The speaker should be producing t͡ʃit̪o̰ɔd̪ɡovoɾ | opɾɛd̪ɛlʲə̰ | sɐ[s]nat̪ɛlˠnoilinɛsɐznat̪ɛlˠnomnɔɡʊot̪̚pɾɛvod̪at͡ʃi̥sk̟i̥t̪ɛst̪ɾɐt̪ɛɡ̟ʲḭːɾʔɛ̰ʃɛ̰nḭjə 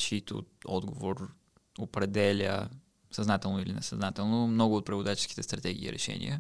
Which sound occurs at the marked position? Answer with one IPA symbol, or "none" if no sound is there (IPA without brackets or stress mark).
z